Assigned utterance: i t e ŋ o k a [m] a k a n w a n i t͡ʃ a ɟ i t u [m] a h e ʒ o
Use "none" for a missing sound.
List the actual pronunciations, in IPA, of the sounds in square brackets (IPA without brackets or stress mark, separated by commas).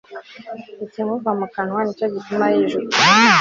m, m